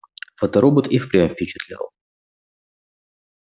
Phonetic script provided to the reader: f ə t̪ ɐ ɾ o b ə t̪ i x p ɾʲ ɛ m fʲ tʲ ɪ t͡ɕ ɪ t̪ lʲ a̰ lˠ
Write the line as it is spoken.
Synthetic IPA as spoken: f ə t̪ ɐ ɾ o b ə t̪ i f p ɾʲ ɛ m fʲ pʲ ɪ t͡ɕ ɪ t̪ lʲ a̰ lˠ